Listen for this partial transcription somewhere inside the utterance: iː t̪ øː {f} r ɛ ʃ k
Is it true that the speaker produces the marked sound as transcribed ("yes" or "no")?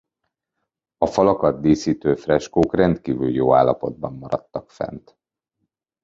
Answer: yes